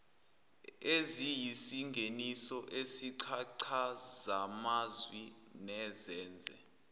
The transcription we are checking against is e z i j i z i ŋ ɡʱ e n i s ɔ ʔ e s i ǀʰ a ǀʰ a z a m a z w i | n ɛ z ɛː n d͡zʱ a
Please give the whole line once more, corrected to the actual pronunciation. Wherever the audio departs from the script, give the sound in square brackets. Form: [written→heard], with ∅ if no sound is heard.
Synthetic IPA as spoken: e z i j i [z→s] i ŋ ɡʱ e n i s ɔ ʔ e s i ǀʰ a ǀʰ a z a m a z w i | n ɛ z ɛː n d͡zʱ [a→ɛ]